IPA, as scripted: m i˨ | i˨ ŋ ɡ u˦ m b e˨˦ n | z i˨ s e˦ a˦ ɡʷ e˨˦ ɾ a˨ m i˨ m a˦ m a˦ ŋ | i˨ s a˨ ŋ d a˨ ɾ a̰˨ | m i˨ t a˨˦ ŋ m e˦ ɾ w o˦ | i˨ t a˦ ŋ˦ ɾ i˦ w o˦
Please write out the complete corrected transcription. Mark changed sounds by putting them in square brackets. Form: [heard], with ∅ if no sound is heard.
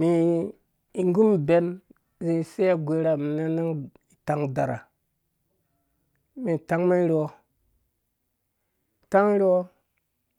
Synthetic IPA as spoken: m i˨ | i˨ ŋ ɡ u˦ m b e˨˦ n | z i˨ s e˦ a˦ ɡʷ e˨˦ ɾ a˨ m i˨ [n] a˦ [n] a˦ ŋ | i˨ [t] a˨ ŋ d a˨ ɾ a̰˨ | m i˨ t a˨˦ ŋ m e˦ ɾ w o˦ | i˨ t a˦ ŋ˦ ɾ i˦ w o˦

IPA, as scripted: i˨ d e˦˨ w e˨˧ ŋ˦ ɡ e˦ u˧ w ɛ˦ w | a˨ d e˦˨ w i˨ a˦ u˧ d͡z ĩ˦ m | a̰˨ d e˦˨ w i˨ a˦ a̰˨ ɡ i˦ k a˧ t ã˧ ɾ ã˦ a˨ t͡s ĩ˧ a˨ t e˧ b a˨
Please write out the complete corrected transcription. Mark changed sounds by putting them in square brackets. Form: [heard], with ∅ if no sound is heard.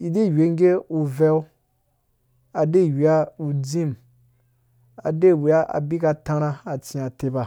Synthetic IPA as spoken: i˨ d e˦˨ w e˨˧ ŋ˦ ɡ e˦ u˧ [v] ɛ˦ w | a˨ d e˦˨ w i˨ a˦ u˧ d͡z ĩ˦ m | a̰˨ d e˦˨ w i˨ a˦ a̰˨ [b] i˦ k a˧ t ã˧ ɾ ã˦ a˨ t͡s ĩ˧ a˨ t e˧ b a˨

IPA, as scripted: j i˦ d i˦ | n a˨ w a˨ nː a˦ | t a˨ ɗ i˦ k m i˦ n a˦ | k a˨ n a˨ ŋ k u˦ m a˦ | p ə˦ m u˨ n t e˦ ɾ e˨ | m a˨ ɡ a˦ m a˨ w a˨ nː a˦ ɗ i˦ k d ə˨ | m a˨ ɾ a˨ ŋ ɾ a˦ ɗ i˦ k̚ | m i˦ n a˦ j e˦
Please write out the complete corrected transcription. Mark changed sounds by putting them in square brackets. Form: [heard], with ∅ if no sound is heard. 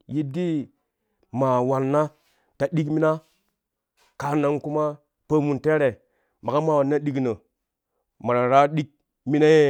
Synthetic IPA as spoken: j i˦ d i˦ | [m] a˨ w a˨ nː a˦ | t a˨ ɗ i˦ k m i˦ n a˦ | k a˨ n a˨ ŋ k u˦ m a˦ | p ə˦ m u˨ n t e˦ ɾ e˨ | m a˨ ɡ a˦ m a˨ w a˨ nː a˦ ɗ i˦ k [n] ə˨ | m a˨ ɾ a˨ [∅] ɾ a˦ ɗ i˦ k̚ | m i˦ n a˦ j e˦

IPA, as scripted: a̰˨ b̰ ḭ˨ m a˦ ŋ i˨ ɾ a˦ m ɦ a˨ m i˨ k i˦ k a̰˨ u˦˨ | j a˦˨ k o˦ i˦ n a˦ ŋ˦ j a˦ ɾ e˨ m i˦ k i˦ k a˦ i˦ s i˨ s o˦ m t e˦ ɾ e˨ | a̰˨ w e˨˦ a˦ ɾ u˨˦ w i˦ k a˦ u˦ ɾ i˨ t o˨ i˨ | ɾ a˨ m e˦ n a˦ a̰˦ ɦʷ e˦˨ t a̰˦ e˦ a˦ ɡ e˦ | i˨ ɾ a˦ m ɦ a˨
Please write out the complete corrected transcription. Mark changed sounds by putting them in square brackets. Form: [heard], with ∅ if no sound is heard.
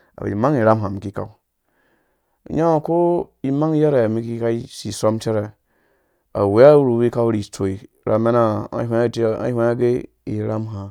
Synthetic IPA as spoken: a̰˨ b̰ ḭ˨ m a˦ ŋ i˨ ɾ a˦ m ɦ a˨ m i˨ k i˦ k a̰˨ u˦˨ | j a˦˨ k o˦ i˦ [m] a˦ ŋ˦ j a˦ ɾ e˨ m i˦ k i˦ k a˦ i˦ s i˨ s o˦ m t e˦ ɾ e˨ | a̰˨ w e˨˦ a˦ ɾ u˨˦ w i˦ k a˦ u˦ ɾ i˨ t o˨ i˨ | ɾ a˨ m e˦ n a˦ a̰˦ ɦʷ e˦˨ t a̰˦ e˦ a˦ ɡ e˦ | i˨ ɾ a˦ m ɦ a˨

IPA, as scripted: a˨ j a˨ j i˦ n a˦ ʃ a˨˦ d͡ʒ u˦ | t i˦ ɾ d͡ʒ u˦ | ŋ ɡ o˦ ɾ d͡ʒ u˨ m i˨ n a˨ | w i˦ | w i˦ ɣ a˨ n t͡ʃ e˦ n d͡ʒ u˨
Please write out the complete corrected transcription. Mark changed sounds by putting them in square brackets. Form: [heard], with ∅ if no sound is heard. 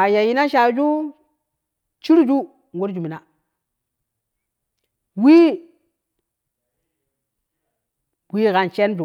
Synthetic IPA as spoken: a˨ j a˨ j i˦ n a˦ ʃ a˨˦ d͡ʒ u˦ | [t͡ʃ] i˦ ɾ d͡ʒ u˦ | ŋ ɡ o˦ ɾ d͡ʒ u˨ m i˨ n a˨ | w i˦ | w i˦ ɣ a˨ n t͡ʃ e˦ n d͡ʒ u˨

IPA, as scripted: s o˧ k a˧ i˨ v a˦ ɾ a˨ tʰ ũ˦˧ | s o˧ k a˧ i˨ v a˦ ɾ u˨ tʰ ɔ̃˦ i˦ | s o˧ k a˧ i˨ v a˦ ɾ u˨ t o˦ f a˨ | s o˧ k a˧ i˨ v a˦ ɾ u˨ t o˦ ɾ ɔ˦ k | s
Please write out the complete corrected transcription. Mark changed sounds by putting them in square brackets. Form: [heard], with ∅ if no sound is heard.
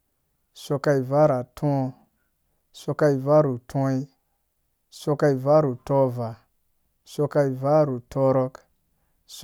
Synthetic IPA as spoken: s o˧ k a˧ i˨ v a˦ ɾ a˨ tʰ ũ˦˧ | s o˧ k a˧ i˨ v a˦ ɾ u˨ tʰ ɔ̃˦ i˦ | s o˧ k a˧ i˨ v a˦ ɾ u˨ t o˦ [v] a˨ | s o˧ k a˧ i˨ v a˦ ɾ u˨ t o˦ ɾ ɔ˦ k | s

